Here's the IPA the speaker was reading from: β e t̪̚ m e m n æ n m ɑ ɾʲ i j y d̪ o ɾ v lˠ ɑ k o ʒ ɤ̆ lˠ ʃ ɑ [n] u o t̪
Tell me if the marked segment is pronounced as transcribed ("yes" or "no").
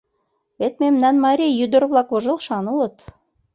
yes